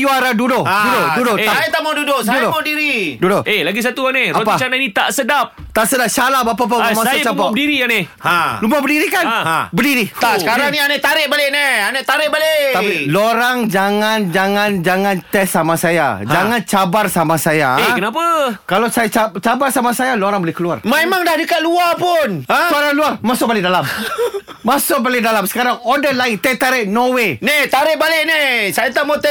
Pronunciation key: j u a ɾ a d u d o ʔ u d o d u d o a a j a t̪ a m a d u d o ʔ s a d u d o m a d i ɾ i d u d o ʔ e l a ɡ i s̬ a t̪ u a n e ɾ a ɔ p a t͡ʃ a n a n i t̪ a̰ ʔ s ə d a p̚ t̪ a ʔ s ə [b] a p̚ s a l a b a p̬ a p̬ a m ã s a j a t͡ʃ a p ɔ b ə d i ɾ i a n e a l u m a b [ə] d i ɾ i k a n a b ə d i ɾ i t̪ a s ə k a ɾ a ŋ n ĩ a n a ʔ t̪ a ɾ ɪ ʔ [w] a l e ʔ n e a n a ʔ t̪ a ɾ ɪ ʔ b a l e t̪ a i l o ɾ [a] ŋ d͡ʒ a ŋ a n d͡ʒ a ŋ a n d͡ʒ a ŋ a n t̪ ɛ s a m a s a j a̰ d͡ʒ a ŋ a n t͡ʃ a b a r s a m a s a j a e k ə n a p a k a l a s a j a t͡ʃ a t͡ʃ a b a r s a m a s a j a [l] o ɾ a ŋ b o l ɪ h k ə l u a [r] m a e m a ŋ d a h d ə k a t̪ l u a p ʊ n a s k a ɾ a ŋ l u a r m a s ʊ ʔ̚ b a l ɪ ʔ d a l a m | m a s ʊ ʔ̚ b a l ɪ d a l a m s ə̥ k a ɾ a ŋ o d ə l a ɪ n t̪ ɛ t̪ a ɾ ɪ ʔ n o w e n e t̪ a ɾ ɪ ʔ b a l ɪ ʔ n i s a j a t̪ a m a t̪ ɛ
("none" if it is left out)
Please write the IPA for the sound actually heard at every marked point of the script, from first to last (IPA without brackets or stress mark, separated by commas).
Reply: d, ə, b, a, l, r